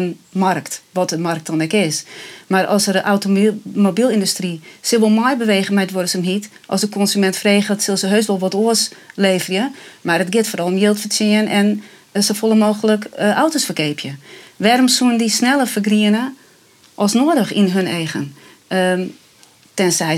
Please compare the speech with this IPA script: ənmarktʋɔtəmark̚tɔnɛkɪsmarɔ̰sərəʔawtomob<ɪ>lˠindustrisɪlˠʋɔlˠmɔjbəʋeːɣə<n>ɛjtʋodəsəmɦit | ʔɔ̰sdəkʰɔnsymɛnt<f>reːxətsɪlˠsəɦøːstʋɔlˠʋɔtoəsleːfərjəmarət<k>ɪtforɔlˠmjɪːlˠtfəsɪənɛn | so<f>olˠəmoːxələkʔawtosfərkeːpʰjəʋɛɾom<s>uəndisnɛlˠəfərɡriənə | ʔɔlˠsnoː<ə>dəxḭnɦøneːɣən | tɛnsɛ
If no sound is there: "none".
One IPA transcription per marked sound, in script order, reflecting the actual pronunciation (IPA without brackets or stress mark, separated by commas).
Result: i, m, f, ɡ, f, s, ə